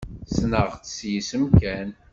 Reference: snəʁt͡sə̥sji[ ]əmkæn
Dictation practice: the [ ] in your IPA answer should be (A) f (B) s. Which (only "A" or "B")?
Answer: B